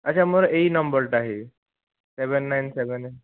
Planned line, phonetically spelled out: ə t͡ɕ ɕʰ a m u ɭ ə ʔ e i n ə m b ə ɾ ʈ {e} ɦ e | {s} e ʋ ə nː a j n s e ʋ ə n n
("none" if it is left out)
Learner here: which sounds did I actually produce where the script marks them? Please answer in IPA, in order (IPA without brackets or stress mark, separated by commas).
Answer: a, s